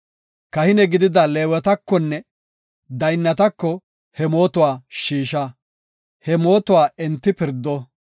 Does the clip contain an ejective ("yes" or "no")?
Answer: no